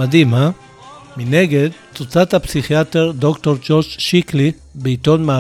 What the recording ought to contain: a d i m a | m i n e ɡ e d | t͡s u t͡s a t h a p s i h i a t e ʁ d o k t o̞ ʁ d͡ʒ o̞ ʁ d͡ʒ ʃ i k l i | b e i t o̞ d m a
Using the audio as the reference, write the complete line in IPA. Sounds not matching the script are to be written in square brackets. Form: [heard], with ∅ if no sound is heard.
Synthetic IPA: a d i m a | m i n e ɡ e d | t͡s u t͡s a t h a p s i [χ] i a t e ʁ d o k t o̞ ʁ d͡ʒ o̞ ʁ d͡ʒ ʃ i k l i | b e i t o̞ [n] m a